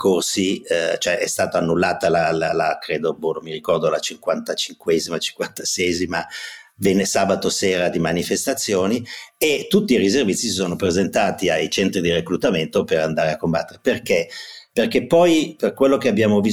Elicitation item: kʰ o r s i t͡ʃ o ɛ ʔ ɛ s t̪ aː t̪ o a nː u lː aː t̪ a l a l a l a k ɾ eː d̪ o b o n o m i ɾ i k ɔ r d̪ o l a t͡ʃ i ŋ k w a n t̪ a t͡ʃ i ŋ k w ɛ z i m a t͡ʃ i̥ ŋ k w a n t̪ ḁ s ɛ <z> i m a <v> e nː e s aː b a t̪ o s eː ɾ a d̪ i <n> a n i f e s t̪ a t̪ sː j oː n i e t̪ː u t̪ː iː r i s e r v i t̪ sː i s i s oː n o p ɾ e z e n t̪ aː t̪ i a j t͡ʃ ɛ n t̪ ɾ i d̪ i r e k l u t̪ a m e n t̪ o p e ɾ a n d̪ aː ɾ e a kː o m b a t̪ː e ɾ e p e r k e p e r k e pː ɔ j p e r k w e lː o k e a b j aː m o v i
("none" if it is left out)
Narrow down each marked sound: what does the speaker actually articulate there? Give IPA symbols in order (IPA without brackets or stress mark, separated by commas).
z, v, m